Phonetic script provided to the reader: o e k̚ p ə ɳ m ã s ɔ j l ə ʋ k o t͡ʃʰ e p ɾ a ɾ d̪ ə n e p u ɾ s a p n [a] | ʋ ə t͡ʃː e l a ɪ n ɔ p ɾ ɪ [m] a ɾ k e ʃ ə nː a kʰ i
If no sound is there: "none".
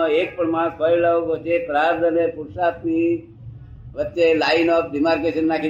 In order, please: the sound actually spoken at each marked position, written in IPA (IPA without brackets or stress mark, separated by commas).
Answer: i, m